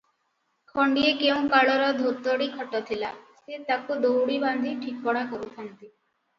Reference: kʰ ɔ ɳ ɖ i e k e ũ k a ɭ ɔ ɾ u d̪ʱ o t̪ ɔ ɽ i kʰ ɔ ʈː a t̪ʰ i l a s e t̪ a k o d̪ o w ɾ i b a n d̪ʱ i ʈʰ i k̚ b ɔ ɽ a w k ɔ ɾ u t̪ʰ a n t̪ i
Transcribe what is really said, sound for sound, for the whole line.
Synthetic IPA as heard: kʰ ɔ ɳ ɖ i e k e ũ k a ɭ ɔ ɾ ɔ d̪ʱ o t̪ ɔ ɽ i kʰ ɔ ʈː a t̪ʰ i l a s e t̪ a k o d̪ o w ɽ i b a n d̪ʱ i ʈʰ i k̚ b ɔ ɽ a k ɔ ɾ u t̪ʰ a n t̪ i